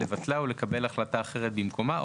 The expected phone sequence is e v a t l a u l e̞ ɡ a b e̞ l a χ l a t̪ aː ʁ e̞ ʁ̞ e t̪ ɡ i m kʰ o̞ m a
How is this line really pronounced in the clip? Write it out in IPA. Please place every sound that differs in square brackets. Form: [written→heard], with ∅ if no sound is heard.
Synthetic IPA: e v a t l a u l e̞ [ɡ→k] a b e̞ l a χ l a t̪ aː [ʁ→χ] e̞ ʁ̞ e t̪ [ɡ→b] i m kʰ o̞ m a